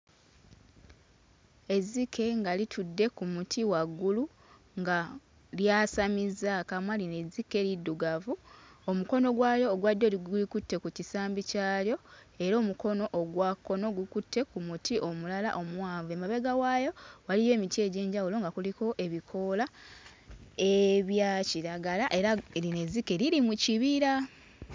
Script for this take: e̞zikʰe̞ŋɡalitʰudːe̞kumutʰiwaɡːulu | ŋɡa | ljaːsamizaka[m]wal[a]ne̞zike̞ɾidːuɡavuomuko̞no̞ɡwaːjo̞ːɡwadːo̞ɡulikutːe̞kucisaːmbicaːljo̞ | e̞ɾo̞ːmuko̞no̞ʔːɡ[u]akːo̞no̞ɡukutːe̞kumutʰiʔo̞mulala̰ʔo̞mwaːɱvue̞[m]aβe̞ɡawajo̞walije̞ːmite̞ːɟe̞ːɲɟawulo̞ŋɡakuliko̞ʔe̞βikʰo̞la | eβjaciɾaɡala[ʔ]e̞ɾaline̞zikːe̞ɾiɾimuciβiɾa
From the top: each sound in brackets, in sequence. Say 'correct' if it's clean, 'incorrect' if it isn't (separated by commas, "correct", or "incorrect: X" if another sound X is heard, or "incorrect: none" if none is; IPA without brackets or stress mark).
correct, incorrect: i, incorrect: w, correct, correct